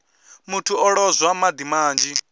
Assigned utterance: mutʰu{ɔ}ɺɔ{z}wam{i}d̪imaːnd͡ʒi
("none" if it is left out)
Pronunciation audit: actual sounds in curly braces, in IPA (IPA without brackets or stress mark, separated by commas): ɔ, z, a